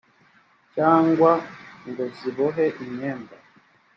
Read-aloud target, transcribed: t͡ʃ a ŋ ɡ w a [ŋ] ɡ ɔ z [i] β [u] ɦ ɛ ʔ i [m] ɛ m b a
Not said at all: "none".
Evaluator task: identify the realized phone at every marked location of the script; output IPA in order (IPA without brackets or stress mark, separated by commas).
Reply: ŋ, i, ɔ, ɲ